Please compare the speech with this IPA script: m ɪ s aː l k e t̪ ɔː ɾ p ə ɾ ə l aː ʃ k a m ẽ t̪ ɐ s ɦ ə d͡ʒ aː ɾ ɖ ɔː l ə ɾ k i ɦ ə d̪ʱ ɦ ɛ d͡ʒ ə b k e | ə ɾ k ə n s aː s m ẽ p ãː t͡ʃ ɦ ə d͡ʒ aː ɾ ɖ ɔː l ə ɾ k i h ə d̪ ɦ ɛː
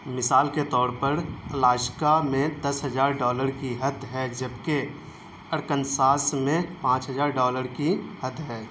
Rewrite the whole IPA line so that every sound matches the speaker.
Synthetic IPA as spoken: m ɪ s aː l k e t̪ ɔː ɾ p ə ɾ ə l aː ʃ k a m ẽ d̪ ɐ s ɦ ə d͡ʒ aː ɾ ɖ ɔː l ə ɾ k i ɦ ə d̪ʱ ɦ ɛ d͡ʒ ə b k e | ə ɾ k ə n s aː s m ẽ p ãː t͡ʃ ɦ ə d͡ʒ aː ɾ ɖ ɔː l ə ɾ k i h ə d̪ ɦ ɛː

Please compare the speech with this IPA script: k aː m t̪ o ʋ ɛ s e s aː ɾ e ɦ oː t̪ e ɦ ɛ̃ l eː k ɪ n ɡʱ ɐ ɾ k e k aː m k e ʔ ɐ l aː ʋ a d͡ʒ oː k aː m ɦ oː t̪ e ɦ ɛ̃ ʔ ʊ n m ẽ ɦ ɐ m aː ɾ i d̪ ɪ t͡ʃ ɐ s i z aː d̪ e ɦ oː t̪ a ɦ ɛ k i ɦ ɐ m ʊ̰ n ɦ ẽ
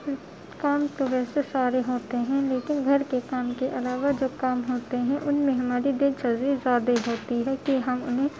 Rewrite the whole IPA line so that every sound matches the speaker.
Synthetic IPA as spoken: k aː m t̪ o ʋ ɛː s e s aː ɾ e ɦ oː t̪ e ɦ ɛ̃ l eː k ɪ n ɡʱ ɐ ɾ k e k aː m k e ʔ ɐ l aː ʋ a d͡ʒ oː k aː m ɦ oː t̪ e ɦ ɛ̃ ʔ ʊ n m ẽ ɦ ɐ m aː ɾ i d̪ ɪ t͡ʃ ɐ z i z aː d̪ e ɦ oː t̪ i ɦ ɛ k i ɦ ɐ m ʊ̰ n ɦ ẽ

